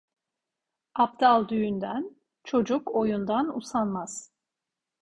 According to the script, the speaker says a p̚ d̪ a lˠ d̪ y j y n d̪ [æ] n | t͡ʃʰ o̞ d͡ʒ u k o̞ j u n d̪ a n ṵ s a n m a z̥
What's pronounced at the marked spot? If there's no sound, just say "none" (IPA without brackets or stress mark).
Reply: æ